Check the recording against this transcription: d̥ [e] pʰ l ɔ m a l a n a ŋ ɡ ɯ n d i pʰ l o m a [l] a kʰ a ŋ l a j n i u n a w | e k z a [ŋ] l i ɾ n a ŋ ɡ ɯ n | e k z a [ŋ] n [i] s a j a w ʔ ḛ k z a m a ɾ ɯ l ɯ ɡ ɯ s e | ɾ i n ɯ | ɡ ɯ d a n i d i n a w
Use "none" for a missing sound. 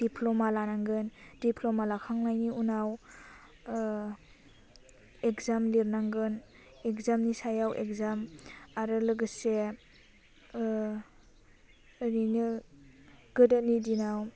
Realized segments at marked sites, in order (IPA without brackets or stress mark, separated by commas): i, l, m, m, i